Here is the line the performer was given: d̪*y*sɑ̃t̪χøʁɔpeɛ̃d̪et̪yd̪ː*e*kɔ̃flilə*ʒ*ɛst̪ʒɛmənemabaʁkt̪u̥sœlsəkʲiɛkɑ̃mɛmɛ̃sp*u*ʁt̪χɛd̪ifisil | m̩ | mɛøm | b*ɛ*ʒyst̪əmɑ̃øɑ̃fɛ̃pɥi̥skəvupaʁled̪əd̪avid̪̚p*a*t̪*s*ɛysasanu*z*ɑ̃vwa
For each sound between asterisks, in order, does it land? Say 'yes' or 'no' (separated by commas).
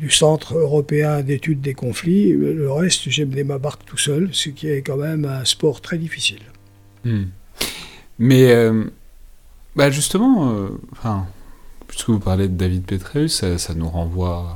yes, yes, no, no, no, no, no, no